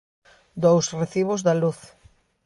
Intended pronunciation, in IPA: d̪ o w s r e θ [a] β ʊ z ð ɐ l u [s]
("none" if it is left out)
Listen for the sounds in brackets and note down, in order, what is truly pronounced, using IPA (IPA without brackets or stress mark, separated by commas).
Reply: i, θ